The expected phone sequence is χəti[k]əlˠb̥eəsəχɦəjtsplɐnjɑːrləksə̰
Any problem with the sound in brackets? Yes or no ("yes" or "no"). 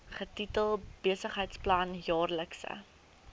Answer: yes